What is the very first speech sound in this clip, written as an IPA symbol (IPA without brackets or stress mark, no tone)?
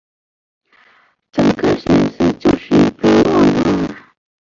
ʈ͡ʂ